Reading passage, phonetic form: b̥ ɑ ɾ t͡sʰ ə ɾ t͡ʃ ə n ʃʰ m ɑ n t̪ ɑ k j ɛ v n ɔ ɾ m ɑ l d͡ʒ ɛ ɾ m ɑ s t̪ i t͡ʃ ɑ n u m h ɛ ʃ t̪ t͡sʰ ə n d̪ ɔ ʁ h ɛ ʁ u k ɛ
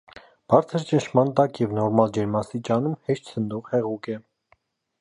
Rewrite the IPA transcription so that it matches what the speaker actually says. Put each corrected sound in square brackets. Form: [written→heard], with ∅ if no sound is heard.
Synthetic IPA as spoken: b̥ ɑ ɾ t͡sʰ ə ɾ t͡ʃ ə n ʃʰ m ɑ n t̪ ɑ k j ɛ v n ɔ ɾ m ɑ l d͡ʒ ɛ ɾ m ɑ s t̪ i t͡ʃ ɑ n u m h ɛ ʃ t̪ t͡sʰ ə n d̪ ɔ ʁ h ɛ ʁ u k ɛ